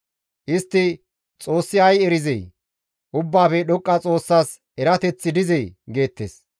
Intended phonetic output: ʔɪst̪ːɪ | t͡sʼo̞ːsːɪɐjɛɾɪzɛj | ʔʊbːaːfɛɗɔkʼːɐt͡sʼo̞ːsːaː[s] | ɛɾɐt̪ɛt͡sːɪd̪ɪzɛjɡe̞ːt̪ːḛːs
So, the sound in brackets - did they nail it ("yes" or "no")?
yes